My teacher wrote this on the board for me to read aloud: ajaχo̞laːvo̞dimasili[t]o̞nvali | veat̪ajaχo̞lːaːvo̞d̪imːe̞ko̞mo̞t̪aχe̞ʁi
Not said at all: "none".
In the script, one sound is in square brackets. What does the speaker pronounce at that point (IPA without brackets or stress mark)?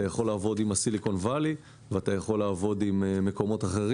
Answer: k